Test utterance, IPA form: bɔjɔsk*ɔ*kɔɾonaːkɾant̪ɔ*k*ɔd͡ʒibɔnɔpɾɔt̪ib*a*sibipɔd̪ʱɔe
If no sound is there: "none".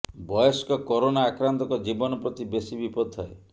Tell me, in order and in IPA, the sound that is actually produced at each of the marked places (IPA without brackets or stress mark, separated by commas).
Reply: ɔ, k, e